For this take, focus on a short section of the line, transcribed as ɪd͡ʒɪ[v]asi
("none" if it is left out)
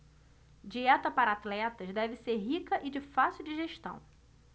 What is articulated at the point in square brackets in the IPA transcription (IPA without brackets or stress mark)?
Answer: f